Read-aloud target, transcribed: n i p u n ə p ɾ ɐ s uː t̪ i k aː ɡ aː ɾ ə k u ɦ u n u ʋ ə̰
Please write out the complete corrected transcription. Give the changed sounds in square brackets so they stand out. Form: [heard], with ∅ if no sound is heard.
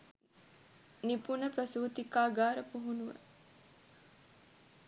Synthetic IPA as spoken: n i p u n ə p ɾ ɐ s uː t̪ i k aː ɡ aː ɾ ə [p] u ɦ u n u ʋ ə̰